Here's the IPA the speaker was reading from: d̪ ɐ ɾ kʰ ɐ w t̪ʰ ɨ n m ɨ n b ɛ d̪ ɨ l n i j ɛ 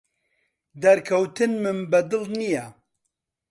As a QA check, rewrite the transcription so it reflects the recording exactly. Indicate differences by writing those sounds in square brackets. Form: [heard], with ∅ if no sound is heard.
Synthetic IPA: d̪ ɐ ɾ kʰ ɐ w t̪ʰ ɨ n m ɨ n b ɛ d̪ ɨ l n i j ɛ